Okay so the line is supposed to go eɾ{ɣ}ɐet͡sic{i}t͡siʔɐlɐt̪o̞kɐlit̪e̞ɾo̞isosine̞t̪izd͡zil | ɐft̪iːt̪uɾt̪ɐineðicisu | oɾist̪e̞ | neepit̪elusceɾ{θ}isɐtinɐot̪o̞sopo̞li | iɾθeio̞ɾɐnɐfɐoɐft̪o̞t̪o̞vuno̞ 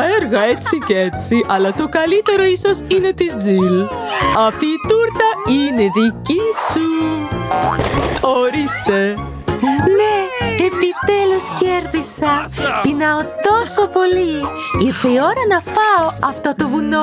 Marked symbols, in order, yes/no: yes, no, no

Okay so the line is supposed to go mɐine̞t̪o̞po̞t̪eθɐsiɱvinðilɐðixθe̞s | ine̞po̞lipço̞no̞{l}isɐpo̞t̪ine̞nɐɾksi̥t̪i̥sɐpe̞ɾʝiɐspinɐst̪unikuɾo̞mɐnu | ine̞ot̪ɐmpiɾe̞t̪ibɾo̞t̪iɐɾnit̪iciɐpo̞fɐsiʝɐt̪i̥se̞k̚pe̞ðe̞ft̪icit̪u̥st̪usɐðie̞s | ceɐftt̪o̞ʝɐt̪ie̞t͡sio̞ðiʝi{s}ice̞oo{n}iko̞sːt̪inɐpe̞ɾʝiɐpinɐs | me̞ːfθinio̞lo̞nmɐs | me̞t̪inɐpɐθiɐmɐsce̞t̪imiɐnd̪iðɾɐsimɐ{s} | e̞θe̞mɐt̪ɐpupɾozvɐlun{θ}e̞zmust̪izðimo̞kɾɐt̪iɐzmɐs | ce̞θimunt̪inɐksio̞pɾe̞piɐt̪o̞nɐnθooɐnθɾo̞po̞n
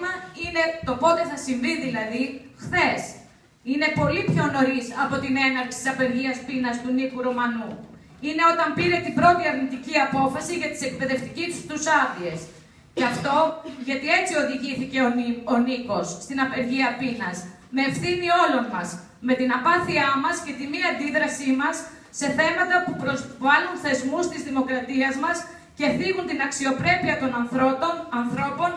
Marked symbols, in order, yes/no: no, no, yes, no, yes

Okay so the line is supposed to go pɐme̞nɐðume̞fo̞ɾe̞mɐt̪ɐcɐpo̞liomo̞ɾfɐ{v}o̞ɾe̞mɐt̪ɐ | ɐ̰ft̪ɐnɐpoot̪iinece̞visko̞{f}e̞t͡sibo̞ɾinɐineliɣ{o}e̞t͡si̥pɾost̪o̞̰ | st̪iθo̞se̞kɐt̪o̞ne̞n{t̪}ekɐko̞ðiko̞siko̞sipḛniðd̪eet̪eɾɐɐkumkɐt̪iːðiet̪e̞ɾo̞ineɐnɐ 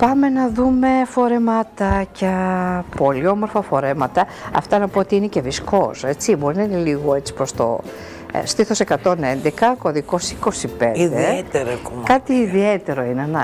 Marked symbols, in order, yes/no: no, no, yes, no

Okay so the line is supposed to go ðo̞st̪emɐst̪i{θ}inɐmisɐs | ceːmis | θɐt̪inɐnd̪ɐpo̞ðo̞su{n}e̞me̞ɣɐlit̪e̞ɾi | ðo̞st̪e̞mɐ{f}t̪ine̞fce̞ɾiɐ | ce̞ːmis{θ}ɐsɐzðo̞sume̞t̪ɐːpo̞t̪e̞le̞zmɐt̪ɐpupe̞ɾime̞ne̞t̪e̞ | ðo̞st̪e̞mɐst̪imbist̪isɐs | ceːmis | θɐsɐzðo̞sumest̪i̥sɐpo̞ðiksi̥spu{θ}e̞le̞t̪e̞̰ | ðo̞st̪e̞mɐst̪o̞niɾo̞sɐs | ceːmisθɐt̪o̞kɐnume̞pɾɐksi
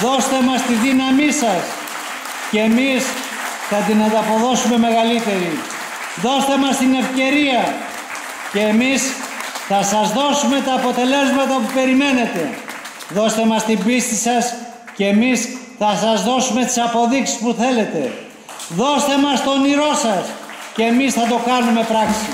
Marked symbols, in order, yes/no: no, no, no, yes, yes

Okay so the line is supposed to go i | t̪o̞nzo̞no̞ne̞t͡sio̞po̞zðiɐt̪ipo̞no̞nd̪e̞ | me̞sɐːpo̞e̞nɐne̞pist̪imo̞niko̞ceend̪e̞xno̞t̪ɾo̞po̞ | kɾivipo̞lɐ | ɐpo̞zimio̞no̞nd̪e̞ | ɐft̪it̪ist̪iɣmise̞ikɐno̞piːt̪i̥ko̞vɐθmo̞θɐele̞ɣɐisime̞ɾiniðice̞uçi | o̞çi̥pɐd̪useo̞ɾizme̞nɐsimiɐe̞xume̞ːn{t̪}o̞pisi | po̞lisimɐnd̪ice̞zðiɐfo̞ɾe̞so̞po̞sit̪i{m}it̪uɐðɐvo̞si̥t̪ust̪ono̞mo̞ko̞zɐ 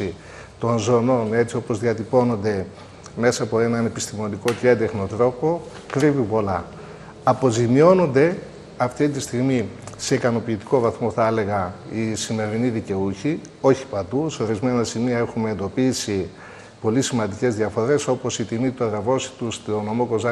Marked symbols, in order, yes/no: no, yes

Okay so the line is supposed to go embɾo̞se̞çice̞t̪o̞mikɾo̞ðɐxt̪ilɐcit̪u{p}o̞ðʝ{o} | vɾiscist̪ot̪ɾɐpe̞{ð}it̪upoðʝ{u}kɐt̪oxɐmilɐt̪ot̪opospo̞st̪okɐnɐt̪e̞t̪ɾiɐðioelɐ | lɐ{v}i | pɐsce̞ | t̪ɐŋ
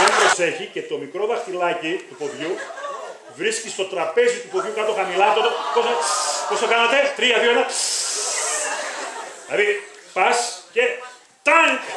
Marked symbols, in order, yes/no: yes, no, no, yes, no

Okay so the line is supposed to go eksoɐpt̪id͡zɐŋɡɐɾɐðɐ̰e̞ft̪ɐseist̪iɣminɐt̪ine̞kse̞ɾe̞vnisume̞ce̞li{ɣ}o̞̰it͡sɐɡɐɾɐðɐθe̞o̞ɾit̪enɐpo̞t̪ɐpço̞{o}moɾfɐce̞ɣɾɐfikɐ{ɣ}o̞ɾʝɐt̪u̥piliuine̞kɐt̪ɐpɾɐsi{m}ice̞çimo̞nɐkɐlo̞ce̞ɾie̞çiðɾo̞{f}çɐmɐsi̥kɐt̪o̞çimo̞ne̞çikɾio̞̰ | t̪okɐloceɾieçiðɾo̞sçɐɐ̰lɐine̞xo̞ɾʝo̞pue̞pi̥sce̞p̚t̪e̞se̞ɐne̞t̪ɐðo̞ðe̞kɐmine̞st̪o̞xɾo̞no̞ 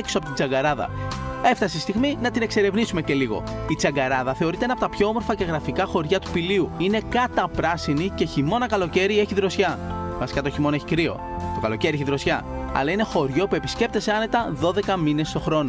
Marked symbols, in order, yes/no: yes, yes, no, no, no

